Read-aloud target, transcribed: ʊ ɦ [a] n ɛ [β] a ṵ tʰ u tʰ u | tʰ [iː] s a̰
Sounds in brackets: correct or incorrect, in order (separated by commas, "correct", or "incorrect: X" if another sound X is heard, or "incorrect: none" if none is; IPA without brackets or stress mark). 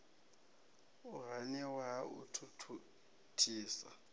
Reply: correct, incorrect: w, correct